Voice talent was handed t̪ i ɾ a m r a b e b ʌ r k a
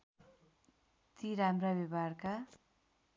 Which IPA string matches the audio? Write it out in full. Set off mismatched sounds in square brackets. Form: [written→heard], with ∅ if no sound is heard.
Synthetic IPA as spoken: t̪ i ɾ a m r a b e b [ʌ→a] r k a